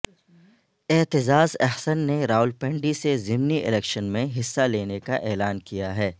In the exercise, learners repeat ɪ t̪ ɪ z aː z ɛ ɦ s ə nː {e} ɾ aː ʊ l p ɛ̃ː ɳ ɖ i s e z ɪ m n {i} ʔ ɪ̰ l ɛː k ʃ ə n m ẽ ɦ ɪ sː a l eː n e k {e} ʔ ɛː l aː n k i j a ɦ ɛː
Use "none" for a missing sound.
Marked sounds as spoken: e, i, a

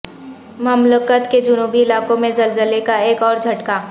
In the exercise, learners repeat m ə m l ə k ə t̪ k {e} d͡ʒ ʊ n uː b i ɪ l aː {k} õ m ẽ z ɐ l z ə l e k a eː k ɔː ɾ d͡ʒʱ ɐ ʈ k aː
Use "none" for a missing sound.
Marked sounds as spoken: e, k

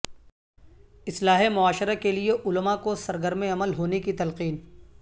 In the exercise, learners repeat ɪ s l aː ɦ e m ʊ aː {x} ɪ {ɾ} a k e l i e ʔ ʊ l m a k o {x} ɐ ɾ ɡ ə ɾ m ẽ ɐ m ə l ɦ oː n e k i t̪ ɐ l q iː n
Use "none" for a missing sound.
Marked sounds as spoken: ʃ, ɾ, s

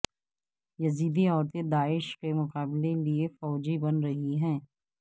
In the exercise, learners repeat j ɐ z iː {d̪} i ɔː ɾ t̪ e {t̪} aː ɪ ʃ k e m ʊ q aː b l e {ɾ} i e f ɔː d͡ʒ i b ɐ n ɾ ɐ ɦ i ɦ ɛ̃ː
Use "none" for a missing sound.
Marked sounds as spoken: d̪, d̪, l

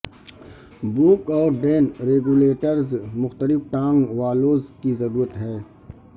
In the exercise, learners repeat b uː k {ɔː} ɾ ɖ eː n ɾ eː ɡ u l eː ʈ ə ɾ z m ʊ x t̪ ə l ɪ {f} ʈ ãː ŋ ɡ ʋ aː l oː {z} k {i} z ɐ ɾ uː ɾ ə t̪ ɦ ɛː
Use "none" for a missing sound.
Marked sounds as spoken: ɔː, f, z, i

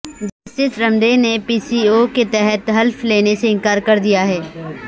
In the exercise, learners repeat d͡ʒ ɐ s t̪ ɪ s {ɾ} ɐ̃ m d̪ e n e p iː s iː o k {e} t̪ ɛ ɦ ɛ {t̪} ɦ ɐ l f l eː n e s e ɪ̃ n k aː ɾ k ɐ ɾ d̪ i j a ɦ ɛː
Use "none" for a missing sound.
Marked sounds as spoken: ɾ, e, t̪

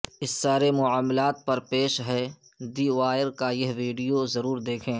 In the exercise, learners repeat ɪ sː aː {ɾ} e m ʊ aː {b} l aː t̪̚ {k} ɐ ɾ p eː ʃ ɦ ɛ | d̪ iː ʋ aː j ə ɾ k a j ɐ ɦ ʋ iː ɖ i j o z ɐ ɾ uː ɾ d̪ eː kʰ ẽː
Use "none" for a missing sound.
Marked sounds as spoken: ɾ, m, p

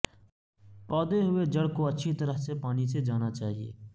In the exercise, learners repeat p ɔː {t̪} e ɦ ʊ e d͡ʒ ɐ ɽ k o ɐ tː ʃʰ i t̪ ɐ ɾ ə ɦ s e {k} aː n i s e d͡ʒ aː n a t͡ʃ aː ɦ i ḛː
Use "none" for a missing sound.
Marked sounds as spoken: d̪, p

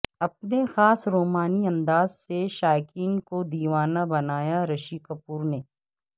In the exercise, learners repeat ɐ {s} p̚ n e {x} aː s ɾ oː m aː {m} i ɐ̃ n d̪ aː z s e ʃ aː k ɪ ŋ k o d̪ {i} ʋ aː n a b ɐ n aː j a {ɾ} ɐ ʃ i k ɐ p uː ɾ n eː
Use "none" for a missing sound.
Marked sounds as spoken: none, x, n, iː, ɾ

